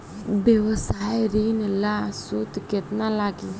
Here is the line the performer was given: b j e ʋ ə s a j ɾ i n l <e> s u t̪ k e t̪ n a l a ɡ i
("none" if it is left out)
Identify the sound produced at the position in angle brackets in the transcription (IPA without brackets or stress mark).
a